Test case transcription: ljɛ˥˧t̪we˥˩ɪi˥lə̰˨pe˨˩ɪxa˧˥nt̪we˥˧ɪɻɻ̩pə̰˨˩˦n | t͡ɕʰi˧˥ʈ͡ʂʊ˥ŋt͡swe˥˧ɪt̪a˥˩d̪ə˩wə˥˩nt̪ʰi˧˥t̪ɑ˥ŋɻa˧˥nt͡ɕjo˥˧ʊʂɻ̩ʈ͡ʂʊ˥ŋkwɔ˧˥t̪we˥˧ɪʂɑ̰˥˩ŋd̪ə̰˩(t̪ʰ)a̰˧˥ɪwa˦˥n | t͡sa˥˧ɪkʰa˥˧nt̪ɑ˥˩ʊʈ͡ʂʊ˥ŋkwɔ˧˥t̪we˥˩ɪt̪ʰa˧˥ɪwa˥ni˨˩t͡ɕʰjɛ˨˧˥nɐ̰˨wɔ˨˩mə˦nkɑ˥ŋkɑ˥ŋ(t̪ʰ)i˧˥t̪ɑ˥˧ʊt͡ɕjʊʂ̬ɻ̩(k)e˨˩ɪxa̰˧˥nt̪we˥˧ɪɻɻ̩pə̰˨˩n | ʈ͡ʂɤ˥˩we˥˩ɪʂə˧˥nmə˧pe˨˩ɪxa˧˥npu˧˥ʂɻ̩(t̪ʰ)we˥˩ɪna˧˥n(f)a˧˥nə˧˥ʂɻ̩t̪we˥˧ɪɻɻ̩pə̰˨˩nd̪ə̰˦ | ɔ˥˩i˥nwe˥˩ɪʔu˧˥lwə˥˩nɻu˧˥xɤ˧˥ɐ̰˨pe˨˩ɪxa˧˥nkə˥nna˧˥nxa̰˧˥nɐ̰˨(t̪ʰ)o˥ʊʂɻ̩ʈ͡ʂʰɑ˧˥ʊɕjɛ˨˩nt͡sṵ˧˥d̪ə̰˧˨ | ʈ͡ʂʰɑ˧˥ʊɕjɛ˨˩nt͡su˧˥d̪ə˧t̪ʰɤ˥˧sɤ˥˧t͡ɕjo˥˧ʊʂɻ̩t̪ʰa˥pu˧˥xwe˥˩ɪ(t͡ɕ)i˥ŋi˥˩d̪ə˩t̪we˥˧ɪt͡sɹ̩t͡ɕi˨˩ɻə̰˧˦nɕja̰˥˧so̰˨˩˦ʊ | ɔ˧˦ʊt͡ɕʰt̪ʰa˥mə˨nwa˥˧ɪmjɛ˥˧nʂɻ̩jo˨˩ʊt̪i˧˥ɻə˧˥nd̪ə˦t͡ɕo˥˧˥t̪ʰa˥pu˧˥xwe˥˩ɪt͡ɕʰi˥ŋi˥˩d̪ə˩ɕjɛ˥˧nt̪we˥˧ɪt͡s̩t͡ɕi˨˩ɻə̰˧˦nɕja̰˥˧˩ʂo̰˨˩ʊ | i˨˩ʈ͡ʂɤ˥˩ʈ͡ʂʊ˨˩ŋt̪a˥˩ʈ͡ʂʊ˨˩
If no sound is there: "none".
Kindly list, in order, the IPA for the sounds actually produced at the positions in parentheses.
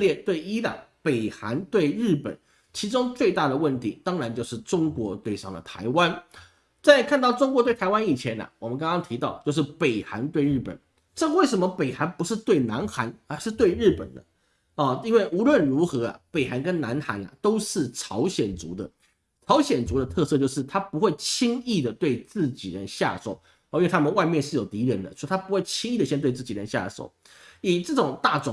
t̪ʰ, t̪ʰ, p, t̪, x, t̪, t͡ɕʰ

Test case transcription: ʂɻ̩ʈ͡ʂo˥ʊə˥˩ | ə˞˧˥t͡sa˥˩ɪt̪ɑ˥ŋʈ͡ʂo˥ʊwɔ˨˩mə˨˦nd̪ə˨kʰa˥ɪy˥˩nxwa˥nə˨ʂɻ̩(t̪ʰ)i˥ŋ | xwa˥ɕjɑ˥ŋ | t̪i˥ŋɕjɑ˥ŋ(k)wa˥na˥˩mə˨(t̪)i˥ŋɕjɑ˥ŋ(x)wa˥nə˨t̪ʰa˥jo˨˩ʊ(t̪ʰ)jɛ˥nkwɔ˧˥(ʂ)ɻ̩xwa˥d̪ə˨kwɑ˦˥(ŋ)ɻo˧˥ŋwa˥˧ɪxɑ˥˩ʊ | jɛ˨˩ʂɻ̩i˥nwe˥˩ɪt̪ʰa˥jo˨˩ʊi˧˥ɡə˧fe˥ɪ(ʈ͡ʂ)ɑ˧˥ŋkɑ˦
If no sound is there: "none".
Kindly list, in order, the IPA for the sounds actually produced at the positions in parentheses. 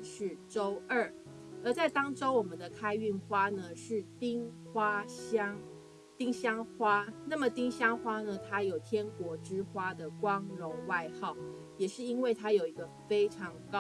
t̪, x, t̪, x, t̪ʰ, ʈ͡ʂ, ŋ, ʈ͡ʂʰ

